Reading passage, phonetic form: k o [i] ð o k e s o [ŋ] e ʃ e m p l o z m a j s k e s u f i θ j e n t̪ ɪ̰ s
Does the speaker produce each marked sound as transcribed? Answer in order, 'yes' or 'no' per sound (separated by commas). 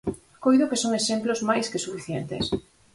no, yes